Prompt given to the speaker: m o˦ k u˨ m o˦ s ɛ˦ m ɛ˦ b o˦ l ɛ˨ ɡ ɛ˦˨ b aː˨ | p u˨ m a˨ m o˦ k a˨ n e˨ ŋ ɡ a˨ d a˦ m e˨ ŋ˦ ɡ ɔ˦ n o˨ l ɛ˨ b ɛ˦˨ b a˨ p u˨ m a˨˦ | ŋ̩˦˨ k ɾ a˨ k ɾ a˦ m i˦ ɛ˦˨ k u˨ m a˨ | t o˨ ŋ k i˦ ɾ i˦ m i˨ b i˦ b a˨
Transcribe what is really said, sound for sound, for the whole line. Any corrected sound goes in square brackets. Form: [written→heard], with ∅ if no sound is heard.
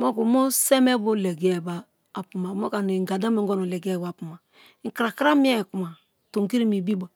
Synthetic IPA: m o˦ k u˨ m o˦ s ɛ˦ m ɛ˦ b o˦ l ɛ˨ ɡ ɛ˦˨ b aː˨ | p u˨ m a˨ m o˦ k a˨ n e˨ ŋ ɡ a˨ d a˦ m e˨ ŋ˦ ɡ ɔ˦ n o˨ l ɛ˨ [b→ɡ] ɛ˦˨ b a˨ p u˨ m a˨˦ | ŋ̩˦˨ k ɾ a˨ k ɾ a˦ m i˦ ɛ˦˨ k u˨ m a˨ | t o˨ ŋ k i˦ ɾ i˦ m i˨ b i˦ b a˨